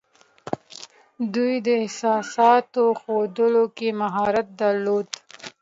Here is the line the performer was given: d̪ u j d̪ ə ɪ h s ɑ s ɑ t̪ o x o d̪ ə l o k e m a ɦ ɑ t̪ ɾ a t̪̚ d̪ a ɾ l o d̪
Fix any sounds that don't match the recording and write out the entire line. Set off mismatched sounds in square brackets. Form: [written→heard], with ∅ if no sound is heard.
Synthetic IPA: d̪ u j d̪ ə ɪ h s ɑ s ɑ t̪ o x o d̪ ə l o k e m a ɦ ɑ [t̪→∅] ɾ a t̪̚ d̪ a ɾ l o d̪